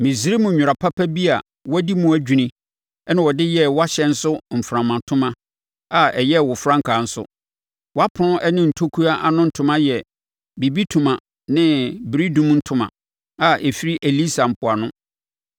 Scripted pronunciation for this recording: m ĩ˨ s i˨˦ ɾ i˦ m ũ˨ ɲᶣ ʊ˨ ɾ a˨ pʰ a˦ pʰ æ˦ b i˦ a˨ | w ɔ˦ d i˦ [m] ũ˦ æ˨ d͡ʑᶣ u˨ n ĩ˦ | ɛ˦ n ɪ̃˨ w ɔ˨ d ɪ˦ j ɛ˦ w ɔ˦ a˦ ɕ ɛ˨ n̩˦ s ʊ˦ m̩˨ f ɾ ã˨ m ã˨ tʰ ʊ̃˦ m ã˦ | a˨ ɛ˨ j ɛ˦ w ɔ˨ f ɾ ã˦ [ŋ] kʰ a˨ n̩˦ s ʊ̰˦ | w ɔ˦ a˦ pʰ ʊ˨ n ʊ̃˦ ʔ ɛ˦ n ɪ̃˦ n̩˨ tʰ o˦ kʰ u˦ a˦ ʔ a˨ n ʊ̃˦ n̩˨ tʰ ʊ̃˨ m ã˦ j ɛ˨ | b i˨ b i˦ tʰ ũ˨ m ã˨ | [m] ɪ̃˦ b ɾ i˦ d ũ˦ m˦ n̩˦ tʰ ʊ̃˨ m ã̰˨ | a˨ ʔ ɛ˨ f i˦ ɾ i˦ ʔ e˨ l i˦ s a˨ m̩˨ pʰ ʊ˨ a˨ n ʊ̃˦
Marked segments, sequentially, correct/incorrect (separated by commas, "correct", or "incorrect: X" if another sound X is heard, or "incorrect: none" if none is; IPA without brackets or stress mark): correct, correct, incorrect: n